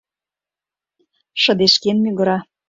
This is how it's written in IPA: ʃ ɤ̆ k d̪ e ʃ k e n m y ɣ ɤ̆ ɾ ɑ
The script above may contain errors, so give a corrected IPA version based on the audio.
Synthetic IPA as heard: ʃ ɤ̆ d̪ e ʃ k e n m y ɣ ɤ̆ ɾ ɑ